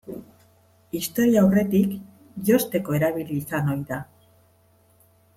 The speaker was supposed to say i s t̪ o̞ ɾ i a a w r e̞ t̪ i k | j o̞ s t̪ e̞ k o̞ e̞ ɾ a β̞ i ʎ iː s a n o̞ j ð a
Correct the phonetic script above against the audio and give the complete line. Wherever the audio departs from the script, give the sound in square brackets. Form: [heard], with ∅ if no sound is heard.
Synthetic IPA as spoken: i s t̪ o̞ ɾ i a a w r e̞ t̪ i k | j o̞ s t̪ e̞ k o̞ e̞ ɾ a β̞ i [l] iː s a n o̞ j ð a